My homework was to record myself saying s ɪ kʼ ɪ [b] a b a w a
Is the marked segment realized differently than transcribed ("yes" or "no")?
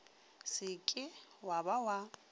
yes